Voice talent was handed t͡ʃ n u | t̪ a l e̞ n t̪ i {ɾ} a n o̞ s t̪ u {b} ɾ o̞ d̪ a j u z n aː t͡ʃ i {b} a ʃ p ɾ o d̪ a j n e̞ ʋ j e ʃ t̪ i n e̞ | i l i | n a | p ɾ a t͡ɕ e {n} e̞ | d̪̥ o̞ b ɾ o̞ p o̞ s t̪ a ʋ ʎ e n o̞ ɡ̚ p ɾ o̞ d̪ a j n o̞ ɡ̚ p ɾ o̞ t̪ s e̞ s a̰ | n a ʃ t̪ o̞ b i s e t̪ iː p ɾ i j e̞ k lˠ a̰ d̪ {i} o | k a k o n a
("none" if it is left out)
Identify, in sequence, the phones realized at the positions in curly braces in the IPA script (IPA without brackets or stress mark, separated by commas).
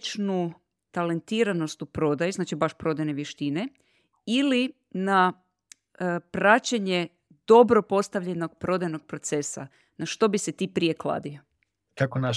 ɾ, p, b, ɲ, i